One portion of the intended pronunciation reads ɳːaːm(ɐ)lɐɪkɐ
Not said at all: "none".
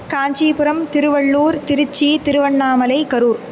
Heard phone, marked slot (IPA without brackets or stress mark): ɐ